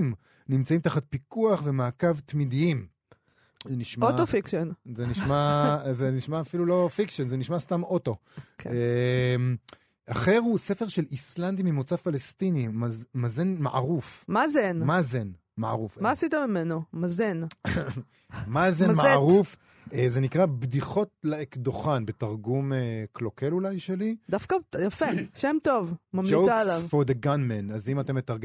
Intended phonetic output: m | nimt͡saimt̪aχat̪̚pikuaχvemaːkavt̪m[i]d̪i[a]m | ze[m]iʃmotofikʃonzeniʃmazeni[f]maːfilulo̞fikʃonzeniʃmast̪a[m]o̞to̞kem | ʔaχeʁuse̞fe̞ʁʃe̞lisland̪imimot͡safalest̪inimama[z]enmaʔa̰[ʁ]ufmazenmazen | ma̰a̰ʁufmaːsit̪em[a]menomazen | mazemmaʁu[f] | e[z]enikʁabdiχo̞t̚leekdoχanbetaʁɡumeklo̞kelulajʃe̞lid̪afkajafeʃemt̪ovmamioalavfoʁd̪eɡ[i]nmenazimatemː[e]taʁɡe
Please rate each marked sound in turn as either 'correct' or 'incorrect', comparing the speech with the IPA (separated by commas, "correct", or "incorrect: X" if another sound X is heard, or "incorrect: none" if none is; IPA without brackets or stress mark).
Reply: correct, incorrect: i, incorrect: n, incorrect: ʃ, correct, correct, correct, incorrect: i, correct, correct, incorrect: a, correct